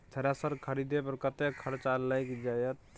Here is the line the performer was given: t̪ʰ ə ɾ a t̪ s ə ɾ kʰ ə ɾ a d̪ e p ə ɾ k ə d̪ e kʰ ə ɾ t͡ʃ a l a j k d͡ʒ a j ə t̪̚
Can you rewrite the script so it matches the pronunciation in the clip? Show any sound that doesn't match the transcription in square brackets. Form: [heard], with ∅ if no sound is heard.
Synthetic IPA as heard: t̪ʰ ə ɾ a [∅] s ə ɾ kʰ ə ɾ [i] d̪ e p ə ɾ k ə [t̪] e kʰ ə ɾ t͡ʃ a l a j k d͡ʒ a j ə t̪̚